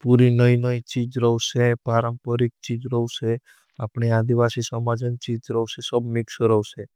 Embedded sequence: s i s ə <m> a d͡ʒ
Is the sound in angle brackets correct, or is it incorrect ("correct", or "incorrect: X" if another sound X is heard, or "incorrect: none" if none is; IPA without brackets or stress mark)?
correct